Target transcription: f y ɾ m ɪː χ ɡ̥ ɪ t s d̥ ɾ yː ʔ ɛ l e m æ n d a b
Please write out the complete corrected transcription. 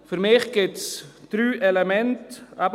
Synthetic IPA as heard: f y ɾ m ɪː χ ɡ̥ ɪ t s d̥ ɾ yː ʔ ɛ l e m ɛ n t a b